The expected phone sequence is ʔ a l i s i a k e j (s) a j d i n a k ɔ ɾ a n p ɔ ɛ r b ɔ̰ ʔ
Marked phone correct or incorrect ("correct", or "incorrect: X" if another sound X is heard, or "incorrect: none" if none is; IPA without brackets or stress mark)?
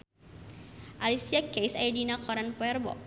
correct